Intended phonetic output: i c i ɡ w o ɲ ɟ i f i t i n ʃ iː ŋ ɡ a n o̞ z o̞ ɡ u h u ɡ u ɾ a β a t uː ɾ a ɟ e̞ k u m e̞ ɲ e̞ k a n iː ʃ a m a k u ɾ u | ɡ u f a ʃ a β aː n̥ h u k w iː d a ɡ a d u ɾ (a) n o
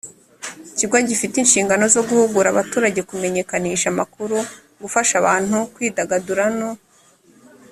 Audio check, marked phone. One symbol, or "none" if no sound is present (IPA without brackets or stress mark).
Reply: a